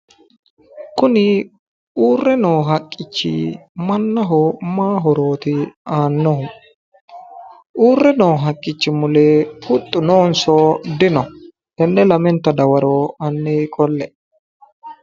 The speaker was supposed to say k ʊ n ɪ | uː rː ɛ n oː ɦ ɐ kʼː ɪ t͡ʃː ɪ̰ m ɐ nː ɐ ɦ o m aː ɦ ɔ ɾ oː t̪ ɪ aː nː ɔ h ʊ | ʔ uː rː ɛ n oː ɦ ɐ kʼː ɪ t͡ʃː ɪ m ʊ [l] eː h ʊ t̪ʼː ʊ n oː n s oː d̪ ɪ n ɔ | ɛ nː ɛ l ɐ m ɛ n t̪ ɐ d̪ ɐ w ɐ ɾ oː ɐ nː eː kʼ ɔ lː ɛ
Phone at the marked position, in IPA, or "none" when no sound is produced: l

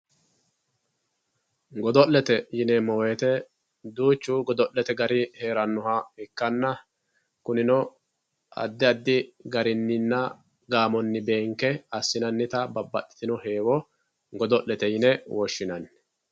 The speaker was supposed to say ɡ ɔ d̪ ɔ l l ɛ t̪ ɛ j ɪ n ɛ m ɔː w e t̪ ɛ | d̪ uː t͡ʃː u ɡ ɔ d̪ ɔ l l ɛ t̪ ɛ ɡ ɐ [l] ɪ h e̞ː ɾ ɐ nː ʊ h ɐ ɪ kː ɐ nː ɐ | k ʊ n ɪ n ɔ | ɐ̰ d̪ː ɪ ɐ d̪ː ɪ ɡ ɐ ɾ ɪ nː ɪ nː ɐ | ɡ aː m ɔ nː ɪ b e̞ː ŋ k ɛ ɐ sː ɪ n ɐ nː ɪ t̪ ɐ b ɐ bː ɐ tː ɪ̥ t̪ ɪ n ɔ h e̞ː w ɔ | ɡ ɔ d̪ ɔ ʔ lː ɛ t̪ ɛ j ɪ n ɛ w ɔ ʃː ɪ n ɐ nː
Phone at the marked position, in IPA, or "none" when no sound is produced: ɾ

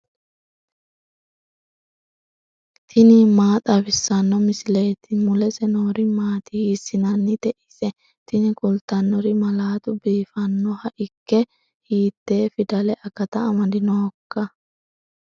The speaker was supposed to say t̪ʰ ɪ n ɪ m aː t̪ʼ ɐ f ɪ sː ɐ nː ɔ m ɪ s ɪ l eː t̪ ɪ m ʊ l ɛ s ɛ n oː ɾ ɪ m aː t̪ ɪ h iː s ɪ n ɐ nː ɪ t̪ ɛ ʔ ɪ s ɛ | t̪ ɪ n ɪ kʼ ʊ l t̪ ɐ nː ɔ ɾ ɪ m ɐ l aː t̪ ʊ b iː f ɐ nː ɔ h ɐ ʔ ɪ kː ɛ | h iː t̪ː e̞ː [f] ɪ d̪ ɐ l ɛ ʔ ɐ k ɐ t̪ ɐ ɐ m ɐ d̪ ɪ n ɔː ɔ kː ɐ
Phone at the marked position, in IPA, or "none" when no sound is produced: f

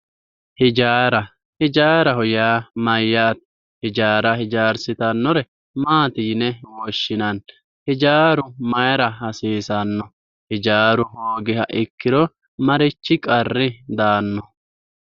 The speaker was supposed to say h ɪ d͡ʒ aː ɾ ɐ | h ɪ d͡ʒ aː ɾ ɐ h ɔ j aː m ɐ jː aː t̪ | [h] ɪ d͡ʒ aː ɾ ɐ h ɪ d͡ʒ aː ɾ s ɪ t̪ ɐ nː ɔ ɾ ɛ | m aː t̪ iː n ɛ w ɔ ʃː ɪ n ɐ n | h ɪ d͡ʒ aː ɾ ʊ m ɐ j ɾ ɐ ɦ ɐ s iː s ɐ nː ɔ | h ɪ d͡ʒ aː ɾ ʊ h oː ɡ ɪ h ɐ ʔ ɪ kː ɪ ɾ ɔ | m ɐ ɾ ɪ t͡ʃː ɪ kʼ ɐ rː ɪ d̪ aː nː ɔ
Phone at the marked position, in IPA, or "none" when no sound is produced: h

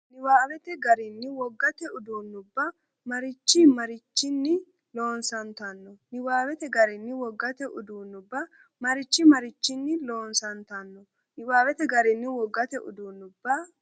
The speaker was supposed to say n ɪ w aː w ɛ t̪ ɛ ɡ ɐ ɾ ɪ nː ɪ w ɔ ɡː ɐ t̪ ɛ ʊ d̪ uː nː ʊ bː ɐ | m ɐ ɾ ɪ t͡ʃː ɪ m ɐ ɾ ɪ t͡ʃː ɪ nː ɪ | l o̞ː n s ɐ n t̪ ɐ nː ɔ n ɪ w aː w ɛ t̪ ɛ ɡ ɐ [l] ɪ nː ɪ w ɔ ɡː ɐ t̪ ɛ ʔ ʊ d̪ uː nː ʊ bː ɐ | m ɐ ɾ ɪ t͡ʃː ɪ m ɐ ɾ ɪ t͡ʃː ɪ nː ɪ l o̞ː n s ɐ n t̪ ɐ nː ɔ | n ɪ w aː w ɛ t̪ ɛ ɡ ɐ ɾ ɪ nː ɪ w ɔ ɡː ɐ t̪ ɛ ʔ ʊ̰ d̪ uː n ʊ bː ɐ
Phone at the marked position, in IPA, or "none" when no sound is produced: ɾ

